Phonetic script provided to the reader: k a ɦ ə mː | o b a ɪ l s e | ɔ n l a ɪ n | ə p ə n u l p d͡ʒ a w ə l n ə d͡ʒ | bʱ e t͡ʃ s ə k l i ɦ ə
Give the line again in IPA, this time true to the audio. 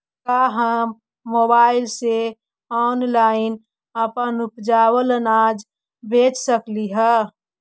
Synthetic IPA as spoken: k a ɦ ə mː | o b a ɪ l s e | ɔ n l a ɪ n | ə p ə n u p d͡ʒ a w ə l n a d͡ʒ | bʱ e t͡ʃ s ə k l i ɦ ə